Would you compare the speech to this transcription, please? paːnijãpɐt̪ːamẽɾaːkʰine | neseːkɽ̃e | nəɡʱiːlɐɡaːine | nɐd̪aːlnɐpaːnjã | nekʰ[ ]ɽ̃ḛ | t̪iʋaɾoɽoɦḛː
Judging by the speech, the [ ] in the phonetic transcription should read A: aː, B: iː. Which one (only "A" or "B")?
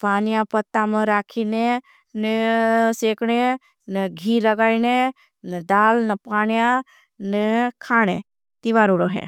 A